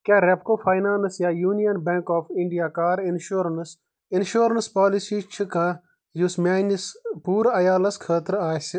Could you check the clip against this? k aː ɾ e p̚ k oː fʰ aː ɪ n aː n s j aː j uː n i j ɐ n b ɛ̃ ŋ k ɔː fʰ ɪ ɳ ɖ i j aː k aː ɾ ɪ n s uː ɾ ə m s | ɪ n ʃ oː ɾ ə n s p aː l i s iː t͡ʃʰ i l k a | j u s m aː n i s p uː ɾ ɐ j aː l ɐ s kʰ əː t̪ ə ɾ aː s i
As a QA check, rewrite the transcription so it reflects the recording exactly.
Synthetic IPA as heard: k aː ɾ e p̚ k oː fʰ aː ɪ n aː n s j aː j uː n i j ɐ n b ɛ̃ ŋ k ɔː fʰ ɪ ɳ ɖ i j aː k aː ɾ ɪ n ʃ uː ɾ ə n s | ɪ n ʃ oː ɾ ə n s p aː l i s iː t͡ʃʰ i k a | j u s m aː n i s p uː ɾ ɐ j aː l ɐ s kʰ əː t̪ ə ɾ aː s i